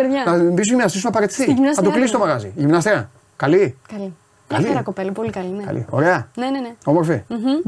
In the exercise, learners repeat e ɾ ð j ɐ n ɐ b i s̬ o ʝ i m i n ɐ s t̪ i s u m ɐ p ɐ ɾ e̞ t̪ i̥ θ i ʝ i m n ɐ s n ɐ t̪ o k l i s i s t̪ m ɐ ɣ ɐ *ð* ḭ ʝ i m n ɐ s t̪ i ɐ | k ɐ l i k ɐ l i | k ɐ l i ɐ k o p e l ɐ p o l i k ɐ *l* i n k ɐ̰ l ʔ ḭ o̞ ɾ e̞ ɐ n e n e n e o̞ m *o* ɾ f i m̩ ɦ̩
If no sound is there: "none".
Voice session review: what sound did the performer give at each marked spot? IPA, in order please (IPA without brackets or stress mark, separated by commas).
z, l, o